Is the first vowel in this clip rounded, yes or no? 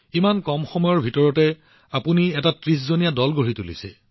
no